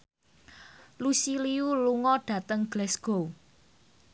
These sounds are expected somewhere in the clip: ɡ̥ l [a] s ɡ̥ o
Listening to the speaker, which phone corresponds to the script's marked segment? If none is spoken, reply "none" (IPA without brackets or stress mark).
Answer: ɛ